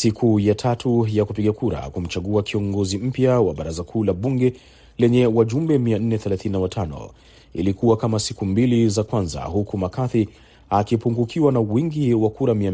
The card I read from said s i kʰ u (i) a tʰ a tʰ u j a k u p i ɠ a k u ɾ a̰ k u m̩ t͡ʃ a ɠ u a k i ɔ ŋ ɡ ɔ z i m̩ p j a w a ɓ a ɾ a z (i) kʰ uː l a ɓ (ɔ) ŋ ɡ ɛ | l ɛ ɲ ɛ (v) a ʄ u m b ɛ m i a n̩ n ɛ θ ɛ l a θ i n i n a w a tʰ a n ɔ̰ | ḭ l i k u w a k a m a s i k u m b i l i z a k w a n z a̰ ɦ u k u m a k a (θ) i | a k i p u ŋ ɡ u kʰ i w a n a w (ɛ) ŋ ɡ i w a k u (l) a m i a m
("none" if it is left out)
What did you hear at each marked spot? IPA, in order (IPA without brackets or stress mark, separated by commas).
j, a, u, w, θ, i, ɾ